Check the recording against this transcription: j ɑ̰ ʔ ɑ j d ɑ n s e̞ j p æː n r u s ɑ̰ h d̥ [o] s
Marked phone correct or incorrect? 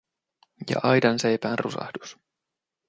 incorrect: u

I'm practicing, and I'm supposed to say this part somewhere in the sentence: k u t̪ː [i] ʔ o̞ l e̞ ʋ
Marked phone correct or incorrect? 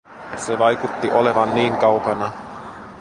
correct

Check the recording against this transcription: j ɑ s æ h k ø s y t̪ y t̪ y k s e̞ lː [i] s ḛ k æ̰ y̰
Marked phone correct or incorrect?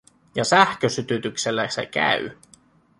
incorrect: æ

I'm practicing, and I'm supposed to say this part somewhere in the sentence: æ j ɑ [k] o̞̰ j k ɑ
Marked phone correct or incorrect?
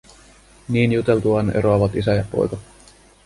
incorrect: p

